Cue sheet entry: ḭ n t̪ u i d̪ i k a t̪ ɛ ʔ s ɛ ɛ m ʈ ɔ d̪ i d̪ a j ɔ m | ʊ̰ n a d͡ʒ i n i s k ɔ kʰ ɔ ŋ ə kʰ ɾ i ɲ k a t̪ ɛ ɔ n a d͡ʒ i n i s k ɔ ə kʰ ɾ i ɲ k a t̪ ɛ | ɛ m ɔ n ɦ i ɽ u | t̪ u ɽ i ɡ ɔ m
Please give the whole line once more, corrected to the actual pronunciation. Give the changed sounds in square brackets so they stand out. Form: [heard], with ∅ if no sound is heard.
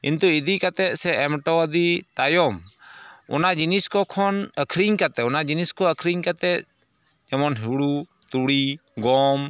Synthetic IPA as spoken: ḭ n t̪ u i d̪ i k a t̪ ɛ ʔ s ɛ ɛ m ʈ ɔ d̪ i [t̪] a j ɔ m | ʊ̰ n a d͡ʒ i n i s k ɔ kʰ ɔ [n] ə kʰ ɾ i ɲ k a t̪ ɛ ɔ n a d͡ʒ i n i s k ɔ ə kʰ ɾ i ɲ k a t̪ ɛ | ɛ m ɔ n ɦ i ɽ u | t̪ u ɽ i ɡ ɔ m